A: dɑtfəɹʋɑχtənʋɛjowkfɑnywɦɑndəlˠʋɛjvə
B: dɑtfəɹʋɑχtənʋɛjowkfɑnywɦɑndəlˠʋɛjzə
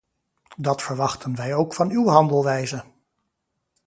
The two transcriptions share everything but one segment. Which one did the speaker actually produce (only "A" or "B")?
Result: B